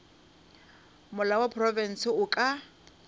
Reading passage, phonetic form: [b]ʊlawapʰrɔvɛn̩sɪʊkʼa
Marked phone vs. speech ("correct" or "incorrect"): incorrect